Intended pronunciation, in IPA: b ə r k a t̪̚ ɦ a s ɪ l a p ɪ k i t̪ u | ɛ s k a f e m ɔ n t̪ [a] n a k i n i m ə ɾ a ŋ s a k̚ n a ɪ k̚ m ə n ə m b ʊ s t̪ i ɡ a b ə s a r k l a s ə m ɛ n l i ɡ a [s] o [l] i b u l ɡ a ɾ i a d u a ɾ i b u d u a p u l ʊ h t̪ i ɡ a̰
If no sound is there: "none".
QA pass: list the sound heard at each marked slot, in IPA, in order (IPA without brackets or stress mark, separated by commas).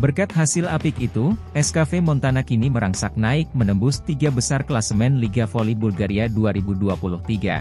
a, f, l